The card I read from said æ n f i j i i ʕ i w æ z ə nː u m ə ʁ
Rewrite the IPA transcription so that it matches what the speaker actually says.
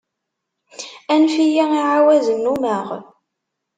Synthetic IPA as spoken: æ n f i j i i ʕ a w æ z ə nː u m ə ʁ